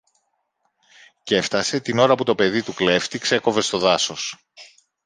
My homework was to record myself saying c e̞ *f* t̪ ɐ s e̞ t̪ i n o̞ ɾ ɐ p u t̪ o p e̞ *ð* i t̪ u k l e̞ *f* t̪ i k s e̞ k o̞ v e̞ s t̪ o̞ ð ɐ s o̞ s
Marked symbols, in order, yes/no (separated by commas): yes, yes, yes